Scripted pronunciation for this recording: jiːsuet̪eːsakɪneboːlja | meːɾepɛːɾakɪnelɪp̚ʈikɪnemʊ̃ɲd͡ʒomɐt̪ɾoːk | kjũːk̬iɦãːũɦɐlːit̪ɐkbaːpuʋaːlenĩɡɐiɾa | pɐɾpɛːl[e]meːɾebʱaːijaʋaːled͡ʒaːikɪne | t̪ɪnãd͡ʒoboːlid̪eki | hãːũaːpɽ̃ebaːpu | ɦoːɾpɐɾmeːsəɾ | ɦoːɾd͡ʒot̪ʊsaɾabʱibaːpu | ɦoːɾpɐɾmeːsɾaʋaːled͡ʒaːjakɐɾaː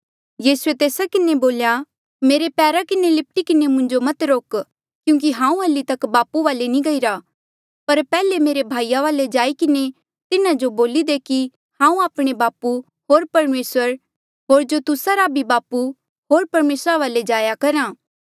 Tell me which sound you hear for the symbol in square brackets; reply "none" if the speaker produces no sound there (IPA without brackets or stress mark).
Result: e